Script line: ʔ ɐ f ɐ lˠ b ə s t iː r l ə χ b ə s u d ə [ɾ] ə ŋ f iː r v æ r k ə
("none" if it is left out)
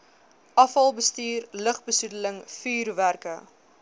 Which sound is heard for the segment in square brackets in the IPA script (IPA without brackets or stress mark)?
l